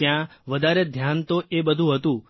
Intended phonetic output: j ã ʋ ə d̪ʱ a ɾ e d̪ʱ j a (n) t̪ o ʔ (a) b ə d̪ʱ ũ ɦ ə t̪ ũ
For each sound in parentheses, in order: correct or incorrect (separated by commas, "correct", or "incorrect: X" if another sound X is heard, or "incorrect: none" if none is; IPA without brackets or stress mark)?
correct, incorrect: e